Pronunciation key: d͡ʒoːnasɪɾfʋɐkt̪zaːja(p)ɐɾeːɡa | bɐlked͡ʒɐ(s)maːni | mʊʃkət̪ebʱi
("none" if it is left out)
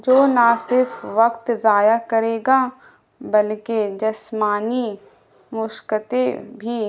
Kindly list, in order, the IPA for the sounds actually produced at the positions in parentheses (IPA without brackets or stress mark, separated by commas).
k, s